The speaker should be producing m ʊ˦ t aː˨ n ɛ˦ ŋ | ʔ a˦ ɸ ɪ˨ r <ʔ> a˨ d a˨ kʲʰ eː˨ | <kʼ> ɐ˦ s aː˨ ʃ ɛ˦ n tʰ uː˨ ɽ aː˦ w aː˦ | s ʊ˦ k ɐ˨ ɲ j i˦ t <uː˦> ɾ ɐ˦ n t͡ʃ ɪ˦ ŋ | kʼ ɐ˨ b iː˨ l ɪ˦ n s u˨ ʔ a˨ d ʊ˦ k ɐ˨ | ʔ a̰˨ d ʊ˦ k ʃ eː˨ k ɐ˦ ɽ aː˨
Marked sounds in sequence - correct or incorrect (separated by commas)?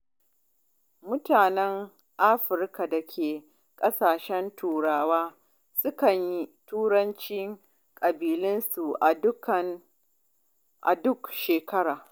incorrect, correct, correct